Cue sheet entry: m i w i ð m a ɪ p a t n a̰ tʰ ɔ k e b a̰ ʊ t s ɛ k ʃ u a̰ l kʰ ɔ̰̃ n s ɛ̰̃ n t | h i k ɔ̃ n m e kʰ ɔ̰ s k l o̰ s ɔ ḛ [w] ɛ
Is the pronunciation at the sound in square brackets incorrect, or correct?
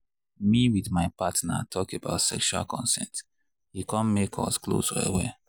correct